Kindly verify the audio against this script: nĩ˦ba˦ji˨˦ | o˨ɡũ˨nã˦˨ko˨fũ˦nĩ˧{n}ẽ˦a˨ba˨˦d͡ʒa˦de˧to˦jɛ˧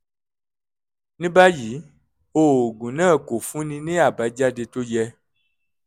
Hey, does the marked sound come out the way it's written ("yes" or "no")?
yes